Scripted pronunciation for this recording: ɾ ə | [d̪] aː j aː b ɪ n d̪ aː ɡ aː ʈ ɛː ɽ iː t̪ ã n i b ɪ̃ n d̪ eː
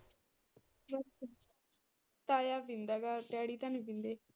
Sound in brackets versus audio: incorrect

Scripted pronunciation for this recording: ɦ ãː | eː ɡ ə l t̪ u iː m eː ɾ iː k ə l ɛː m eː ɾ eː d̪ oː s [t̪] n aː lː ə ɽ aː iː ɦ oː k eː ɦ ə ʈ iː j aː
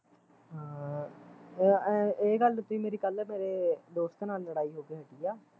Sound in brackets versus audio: correct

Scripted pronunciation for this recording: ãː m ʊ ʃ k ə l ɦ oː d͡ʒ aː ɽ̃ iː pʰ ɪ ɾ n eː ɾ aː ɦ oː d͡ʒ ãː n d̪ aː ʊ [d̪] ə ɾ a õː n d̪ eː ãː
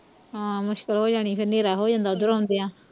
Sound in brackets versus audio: correct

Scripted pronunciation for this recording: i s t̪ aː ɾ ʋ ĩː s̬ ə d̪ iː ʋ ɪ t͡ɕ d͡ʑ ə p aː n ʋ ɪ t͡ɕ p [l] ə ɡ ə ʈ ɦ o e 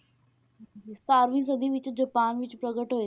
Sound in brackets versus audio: incorrect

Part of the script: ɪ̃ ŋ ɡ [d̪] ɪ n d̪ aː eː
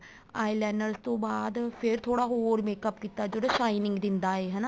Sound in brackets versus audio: correct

